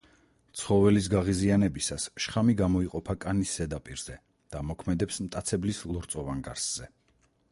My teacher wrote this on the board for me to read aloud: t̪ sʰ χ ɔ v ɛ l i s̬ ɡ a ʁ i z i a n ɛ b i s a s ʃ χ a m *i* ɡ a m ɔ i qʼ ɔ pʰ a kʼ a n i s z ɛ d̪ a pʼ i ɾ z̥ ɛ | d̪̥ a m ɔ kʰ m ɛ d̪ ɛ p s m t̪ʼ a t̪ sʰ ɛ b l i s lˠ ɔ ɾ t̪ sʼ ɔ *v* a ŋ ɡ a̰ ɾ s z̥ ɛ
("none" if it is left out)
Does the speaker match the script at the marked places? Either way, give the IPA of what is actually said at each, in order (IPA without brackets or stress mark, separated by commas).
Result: i, v